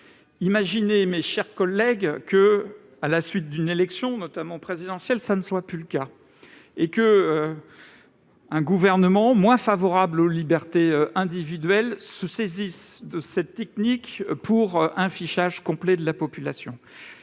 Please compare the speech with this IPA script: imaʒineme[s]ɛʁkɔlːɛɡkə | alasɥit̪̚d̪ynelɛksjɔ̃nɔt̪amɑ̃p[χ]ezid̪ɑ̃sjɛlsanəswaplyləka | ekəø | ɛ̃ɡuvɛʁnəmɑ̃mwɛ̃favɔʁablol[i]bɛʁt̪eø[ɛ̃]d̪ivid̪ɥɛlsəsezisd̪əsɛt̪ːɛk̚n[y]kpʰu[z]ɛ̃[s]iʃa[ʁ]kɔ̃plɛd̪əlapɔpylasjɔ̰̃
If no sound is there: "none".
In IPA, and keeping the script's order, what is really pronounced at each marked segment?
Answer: ʃ, χ, i, ɛ̃, i, ʁ, f, ʒ

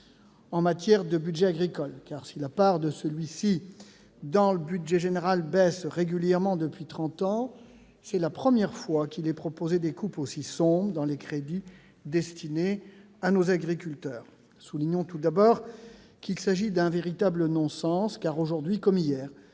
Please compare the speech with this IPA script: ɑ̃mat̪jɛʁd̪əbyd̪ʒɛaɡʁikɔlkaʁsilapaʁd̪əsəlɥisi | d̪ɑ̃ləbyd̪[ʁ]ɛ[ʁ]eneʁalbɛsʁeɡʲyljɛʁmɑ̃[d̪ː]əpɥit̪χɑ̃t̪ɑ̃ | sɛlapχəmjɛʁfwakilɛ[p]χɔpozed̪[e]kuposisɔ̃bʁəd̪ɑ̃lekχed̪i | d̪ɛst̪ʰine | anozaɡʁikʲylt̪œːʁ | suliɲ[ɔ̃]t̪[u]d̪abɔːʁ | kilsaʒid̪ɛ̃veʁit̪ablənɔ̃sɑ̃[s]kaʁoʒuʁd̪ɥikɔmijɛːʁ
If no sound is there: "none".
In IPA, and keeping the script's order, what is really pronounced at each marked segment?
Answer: ʒ, ʒ, d̪, p, e, ɔ̃, u, s

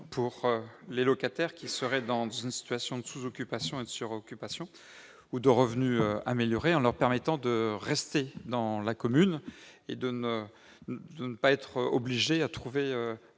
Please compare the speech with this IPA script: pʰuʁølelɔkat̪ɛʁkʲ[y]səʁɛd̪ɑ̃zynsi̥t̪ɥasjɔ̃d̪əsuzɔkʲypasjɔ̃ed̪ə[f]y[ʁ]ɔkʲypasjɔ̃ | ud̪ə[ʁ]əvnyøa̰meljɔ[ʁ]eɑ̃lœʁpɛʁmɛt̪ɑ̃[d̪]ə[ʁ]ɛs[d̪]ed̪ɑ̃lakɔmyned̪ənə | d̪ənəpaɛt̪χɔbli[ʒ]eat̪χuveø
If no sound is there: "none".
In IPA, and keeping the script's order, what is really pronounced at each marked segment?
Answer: i, s, ʁ, ʁ, ʁ, d̪, ʁ, t̪, ʒ

